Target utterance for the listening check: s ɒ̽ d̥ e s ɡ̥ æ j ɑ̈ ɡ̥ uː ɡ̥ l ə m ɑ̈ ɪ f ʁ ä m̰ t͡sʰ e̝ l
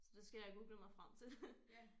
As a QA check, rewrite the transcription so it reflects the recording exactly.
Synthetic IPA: s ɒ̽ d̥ e s ɡ̥ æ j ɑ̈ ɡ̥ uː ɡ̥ l ə m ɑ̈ ɪ f ʁ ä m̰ t͡sʰ e̝ l